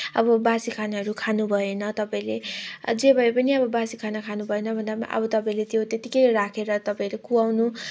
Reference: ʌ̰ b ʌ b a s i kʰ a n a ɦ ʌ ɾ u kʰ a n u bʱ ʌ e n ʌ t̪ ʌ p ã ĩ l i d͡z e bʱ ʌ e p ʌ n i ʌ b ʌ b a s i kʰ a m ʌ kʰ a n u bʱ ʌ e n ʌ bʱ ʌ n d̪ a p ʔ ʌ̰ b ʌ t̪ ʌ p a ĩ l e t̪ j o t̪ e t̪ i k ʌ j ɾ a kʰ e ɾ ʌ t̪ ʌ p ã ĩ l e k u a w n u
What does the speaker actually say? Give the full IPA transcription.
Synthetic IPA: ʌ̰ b ʌ b a s i kʰ a n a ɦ ʌ ɾ u kʰ a n u bʱ ʌ e n ʌ t̪ ʌ p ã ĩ l e d͡z e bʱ ʌ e p ʌ n i ʌ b ʌ b a s i kʰ a n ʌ kʰ a n u bʱ ʌ e n ʌ bʱ ʌ n d̪ a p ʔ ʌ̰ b ʌ t̪ ʌ p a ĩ l e t̪ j o t̪ e t̪ i k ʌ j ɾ a kʰ e ɾ ʌ t̪ ʌ p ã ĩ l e k u a w n u

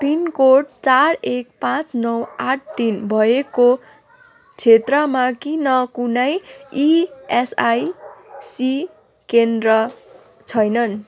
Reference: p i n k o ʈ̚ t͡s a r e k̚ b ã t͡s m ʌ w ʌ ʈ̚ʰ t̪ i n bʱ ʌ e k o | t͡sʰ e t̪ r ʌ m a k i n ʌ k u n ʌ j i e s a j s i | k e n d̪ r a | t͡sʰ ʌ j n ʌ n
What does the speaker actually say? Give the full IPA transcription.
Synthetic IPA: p i n k o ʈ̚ t͡s a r e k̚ p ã t͡s n ʌ w a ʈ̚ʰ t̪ i n bʱ ʌ e k o | t͡sʰ e t̪ r ʌ m a k i n ʌ k u n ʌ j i e s a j s i | k e n d̪ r ʌ | t͡sʰ ʌ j n ʌ n

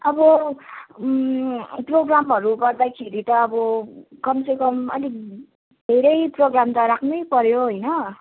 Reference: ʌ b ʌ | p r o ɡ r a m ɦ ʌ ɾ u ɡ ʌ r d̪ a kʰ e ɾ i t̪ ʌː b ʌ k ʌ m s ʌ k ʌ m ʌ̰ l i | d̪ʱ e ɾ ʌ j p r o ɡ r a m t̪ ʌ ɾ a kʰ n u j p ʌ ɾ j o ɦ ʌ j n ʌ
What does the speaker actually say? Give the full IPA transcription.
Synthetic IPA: ʌ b ʌ | p r o ɡ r a m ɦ ʌ ɾ u ɡ ʌ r d̪ a kʰ e ɾ i t̪ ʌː b ʌ k ʌ m s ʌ k ʌ m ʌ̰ l i | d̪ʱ e ɾ ʌ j p r o ɡ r a m t̪ ʌ ɾ a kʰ n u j p ʌ ɾ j o ɦ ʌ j n ʌ

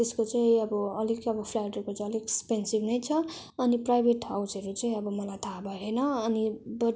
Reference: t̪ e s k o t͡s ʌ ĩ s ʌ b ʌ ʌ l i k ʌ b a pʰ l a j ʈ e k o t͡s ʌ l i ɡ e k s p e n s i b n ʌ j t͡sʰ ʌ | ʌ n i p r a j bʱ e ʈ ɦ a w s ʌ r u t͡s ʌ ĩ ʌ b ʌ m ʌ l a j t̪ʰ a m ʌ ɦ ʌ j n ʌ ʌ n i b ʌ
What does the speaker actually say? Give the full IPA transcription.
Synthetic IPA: t̪ e s k o t͡s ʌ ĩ ʌ b ʌ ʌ l i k ʌ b ʌ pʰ l a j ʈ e k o t͡s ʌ l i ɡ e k s p e n s i b n ʌ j t͡sʰ ʌ | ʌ n i p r a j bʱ e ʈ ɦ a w s ʌ ɾ u t͡s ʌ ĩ ʌ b ʌ m ʌ l a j t̪ʰ a b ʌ ɦ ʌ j n ʌ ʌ n i b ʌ

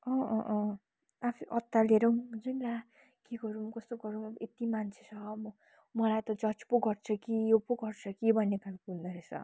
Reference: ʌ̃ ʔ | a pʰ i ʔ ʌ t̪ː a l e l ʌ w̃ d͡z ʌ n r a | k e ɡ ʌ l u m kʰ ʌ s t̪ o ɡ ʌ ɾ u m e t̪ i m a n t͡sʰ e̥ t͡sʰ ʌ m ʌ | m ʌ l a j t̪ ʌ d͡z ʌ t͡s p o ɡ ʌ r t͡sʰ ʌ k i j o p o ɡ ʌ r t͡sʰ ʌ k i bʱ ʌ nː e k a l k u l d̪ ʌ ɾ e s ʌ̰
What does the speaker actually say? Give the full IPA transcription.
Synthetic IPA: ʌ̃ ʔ | a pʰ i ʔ ʌ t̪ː a l e ɾ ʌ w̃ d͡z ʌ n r a | k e ɡ ʌ ɾ u m k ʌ s t̪ o ɡ ʌ ɾ u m e t̪ i m a n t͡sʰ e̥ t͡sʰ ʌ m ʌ | m ʌ l a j t̪ ʌ d͡z ʌ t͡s p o ɡ ʌ r t͡sʰ ʌ k i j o p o ɡ ʌ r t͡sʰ ʌ k i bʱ ʌ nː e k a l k u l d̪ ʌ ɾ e s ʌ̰

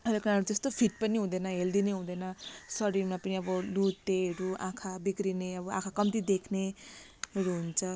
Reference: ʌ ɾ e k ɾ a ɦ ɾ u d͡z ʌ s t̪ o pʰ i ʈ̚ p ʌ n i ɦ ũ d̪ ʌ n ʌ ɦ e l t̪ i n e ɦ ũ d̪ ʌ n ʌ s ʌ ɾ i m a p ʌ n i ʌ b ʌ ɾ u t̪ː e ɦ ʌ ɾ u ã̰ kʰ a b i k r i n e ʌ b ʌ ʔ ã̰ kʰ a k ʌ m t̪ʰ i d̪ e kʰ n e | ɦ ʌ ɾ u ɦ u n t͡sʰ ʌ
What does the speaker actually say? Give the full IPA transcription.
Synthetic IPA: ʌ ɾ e k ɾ a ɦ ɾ u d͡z ʌ s t̪ o pʰ i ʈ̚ p ʌ n i ɦ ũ d̪ ʌ n ʌ ɦ e l d̪ i n e ɦ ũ d̪ ʌ n ʌ s ʌ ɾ i m a p ʌ n i ʌ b ʌ l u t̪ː e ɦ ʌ ɾ u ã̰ kʰ a b i k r i n e ʌ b ʌ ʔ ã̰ kʰ a k ʌ m t̪ i d̪ e kʰ n e | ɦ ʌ ɾ u ɦ u n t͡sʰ ʌ

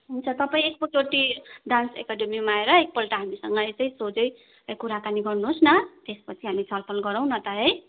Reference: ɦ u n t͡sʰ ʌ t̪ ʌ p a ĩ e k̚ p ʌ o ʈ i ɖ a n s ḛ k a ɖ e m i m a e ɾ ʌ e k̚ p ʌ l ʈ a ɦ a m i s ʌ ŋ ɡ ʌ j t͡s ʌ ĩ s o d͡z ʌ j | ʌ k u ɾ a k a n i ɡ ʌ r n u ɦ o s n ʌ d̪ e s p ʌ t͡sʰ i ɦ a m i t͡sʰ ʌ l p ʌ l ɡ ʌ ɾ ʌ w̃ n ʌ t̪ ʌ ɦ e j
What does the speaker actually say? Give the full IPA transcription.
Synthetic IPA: ɦ u n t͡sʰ ʌ t̪ ʌ p a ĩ e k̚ p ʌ o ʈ i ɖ a n s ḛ k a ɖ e m i m a e ɾ ʌ e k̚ p ʌ l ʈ a ɦ a m i s ʌ ŋ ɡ ʌ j t͡s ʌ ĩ s o d͡z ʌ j | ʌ k u ɾ a k a n i ɡ ʌ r n u ɦ o s n ʌ t̪ e s p ʌ t͡sʰ i ɦ a m i t͡sʰ ʌ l pʰ ʌ l ɡ ʌ ɾ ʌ w̃ n ʌ t̪ ʌ ɦ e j

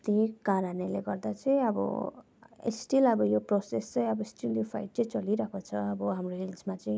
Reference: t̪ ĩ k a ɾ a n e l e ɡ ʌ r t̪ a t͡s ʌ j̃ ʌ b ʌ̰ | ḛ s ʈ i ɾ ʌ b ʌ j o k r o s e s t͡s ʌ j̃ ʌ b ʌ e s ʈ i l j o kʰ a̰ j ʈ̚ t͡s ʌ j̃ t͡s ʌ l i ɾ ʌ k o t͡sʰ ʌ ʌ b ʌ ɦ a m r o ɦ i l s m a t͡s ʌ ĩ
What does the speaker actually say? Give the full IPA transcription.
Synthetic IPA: t̪ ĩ k a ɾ a n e l e ɡ ʌ r d̪ a t͡s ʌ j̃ ʌ b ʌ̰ | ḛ s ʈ i l ʌ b ʌ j o p r o s e s t͡s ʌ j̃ ʌ b ʌ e s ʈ i l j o pʰ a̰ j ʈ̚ t͡s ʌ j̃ t͡s ʌ l i ɾ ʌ k o t͡sʰ ʌ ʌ b ʌ ɦ a m r o ɦ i l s m a t͡s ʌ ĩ

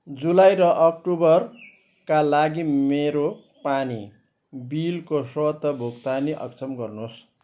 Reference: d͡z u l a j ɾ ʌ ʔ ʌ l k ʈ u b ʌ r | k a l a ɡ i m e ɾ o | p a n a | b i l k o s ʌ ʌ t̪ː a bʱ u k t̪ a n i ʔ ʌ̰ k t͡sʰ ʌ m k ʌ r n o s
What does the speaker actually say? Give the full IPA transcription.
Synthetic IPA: d͡z u l a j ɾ ʌ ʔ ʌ k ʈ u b ʌ r | k a l a ɡ i m e ɾ o | p a n i | b i l k o s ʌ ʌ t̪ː ʌ bʱ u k t̪ a n i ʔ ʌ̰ k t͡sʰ ʌ m ɡ ʌ r n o s

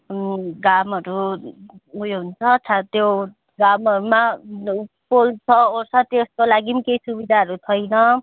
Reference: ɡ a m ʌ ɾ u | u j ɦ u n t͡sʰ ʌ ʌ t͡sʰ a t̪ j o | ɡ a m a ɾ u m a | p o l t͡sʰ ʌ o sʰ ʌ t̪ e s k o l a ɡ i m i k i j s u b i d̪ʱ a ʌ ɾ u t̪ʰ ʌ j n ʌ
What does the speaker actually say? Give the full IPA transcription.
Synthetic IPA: ɡ a m ʌ ɾ u | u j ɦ u n t͡sʰ ʌ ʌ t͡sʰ a t̪ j o | ɡ a m ʌ ɾ u m a | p o l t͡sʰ ʌ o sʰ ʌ t̪ e s k o l a ɡ i m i k e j s u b i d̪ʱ a ʌ ɾ u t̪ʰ ʌ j n ʌ

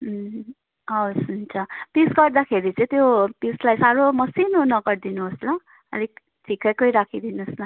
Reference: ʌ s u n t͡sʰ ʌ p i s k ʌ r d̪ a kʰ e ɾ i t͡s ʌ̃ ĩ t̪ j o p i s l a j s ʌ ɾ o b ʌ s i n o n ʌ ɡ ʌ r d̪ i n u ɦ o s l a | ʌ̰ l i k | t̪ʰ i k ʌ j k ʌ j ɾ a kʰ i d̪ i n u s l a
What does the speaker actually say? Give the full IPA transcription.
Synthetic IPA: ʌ s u n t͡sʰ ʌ p i s ɡ ʌ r d̪ a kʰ e ɾ i t͡s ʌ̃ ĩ t̪ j o p i s l a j s a ɾ o m ʌ s i n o n ʌ ɡ ʌ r d̪ i n u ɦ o s l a | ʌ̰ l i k | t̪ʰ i k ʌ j k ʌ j ɾ a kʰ i d̪ i n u s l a

